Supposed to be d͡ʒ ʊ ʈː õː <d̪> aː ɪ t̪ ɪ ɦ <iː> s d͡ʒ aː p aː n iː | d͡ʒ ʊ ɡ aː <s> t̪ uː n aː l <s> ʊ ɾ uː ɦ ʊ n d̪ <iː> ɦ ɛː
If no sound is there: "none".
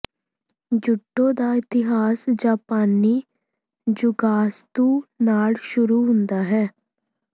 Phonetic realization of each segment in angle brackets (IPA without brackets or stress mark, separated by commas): d̪, aː, s, ʃ, aː